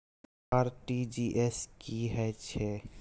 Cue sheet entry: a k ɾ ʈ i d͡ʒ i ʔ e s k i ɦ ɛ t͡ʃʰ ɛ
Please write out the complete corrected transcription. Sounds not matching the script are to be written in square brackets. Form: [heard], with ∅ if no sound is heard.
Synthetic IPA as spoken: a [∅] ɾ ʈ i d͡ʒ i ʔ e s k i ɦ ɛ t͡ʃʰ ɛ